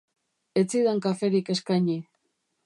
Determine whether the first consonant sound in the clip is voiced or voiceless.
voiceless